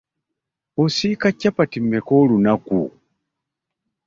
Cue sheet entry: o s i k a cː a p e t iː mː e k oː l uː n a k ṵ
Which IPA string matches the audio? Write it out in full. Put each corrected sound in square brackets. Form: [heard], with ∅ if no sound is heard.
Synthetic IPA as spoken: o s i k a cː a p [a] t [i] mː e k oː l [u] n a k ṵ

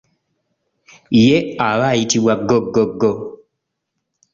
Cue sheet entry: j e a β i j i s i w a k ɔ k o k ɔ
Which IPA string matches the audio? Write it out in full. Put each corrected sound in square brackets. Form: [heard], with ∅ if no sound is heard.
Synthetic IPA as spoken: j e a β [a] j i [t] i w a [ɡ] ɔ [ɡ] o [ɡ] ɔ

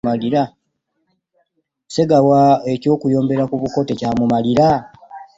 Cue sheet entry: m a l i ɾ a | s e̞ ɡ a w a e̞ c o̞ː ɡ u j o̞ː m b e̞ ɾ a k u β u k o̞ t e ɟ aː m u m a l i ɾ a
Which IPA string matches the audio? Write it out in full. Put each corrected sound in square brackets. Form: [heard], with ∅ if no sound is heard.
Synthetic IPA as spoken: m a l i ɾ a | s e̞ ɡ a w a e̞ c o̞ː [k] u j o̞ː m b e̞ ɾ a k u β u k o̞ t e [c] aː m u m a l i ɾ a

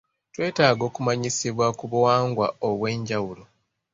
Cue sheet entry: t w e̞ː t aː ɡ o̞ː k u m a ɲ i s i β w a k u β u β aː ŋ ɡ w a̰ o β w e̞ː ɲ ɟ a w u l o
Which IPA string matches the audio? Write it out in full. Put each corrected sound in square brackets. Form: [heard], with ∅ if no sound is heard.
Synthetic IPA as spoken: t w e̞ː t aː ɡ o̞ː k u m a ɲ i s i β w a k u β u [w] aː ŋ ɡ w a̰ o β w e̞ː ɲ ɟ a w u l o

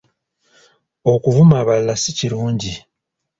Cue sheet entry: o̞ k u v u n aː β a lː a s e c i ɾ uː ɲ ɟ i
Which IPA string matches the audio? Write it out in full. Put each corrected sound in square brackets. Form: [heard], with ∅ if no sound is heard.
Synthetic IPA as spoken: o̞ k u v u [m] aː β a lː a s [i] c i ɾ uː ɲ ɟ i

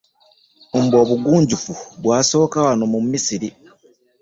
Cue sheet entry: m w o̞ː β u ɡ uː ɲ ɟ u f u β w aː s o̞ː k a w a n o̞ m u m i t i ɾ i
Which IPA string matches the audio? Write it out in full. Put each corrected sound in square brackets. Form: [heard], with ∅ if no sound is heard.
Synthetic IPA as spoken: m [b] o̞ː β u ɡ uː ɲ ɟ u f u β w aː s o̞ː k a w a n o̞ m u m i [s] i ɾ i

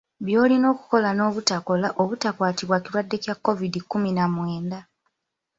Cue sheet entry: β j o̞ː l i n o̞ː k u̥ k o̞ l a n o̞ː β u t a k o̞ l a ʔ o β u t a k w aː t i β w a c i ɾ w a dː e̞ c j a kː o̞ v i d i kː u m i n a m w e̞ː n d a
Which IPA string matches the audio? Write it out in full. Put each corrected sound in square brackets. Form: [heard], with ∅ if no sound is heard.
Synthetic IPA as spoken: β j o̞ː l i n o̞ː k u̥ k o̞ l a n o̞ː β u t a k o̞ l a ʔ o β u t a k w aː t i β w a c i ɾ w a dː e̞ c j a kː o̞ v i d i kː u m i n a m w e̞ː n d a

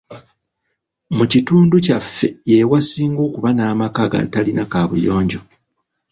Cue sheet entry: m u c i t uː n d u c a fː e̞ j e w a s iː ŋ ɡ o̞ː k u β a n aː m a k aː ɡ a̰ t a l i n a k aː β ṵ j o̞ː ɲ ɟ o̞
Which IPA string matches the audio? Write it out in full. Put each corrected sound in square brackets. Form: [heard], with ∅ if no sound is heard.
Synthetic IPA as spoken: m u c i t uː n d u c a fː e̞ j e w a s iː ŋ ɡ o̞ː k u β a n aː m a k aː ɡ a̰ t a l i n a k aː β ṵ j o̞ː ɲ ɟ o̞

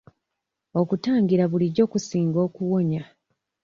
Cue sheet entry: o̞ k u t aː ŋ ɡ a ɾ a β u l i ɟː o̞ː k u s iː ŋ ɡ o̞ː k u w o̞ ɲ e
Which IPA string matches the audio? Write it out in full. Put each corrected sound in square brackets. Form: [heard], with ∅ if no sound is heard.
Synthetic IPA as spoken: o̞ k u t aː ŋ ɡ [i] ɾ a β u l i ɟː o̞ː k u s iː ŋ ɡ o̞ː k u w o̞ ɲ [a]

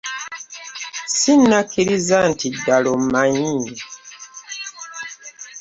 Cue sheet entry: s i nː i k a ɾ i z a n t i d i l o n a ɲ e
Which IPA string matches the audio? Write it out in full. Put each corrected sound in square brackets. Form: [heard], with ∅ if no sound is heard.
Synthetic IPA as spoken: s i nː [a] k [i] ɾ i z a n t i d [a] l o [m] a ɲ [i]

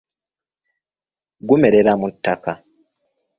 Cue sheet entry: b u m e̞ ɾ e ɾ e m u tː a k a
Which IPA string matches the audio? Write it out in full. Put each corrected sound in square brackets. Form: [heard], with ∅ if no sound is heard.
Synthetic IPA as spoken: [ɡ] u m e̞ ɾ e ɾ [a] m u tː a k a

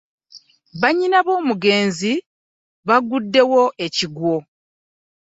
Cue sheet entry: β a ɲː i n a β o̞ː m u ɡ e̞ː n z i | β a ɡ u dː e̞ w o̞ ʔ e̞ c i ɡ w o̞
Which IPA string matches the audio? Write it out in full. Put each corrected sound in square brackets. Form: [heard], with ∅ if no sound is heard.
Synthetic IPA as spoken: β a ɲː i n a β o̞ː m u ɡ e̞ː n z i | β a ɡ u dː e̞ w o̞ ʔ e̞ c i ɡ w o̞

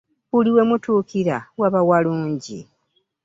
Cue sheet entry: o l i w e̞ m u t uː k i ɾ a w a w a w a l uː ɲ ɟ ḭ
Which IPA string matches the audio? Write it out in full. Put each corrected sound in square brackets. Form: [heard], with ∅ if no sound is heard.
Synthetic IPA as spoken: [u] l i w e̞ m u t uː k i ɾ a w a [β] a w a l uː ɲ ɟ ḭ

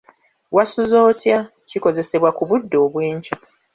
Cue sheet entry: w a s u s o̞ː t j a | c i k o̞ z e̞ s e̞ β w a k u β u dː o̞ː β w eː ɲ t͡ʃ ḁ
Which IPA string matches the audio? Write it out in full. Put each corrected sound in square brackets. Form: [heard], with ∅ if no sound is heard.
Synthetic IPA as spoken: w a s u [z] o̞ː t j a | c i k o̞ z e̞ s e̞ β w a k u β u dː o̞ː β w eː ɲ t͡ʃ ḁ

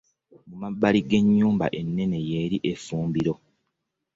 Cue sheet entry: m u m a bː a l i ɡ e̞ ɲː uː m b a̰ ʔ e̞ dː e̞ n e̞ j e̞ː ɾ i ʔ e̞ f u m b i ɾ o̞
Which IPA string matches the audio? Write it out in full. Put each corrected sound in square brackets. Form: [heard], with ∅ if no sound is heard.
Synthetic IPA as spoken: m u m a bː a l i ɡ e̞ ɲː uː m b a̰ ʔ e̞ [nː] e̞ n e̞ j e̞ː ɾ i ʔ e̞ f [uː] m b i ɾ o̞

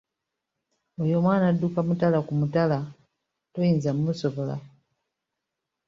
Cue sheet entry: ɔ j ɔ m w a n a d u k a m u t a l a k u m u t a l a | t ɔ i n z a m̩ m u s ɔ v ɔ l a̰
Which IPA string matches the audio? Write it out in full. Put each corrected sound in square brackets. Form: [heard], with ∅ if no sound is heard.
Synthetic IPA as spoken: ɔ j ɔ m w a n a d u k a m u t a l a k u m u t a l a | t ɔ i n z a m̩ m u s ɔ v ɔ l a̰

